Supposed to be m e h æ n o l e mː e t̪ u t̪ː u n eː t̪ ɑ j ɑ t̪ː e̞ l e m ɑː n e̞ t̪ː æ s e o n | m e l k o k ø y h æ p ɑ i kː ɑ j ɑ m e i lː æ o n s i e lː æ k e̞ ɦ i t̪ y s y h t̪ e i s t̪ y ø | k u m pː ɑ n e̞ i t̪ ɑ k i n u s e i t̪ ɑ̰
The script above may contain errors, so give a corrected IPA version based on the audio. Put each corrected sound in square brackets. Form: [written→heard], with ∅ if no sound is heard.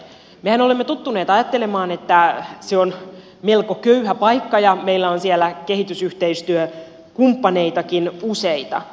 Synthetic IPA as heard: m e h æ n o l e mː e t̪ u t̪ː u n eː t̪ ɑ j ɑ t̪ː e̞ l e m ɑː n e̞ t̪ː æ s e o n | m e l k o k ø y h æ p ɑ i kː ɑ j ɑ m e i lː æ o n s i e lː æ k e̞ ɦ i t̪ y s y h t̪ e i s t̪ y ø | k u m pː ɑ n e̞ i t̪ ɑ k i n u s e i t̪ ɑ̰

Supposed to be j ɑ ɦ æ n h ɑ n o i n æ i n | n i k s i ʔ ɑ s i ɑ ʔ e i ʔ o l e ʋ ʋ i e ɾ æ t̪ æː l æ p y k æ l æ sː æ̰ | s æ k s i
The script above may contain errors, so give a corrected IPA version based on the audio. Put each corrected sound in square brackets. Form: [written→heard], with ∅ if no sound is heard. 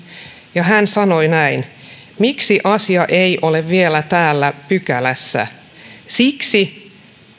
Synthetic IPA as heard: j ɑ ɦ æ n [h→s] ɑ n o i n æ i n | [n→m] i k s i ʔ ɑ s i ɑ ʔ e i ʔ o l e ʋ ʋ i e [ɾ→l] æ t̪ æː [l→lː] æ p y k æ l æ sː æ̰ | s [æ→i] k s i

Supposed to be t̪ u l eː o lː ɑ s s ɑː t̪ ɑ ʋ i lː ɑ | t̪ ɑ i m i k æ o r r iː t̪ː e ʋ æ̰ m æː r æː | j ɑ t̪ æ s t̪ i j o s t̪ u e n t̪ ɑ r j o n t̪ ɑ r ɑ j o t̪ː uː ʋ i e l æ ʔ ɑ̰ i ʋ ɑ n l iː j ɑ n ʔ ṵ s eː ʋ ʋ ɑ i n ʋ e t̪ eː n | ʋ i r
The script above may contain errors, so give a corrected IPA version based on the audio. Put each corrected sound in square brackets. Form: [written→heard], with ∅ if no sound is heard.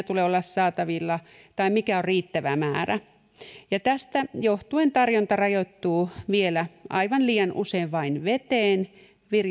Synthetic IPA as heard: t̪ u l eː o lː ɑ s s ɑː t̪ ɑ ʋ i lː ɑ | t̪ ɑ i m i k æ o r r iː t̪ː [e→æ] ʋ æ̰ m æː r [æː→æ] | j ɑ t̪ æ s t̪ [i→æ] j o [s→h] t̪ u e n t̪ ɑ r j o n t̪ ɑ r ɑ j o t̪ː uː ʋ i e l æ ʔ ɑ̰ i ʋ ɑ n l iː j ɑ n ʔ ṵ s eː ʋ ʋ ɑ i n ʋ e t̪ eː n | ʋ i r

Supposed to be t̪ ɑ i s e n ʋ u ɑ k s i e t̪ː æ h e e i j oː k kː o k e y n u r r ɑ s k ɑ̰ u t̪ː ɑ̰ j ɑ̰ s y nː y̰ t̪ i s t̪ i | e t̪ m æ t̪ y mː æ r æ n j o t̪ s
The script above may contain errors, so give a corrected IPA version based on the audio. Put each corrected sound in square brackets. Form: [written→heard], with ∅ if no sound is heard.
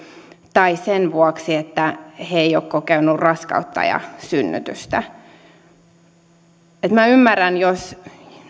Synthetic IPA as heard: t̪ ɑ i s e n ʋ u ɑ k s i e t̪ː æ h e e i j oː k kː o k e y n u r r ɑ s k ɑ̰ u t̪ː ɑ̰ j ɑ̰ s y nː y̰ t̪ [i→y] s t̪ [i→æ] | e t̪ m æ [t̪→∅] y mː æ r æ n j o [t̪→∅] s

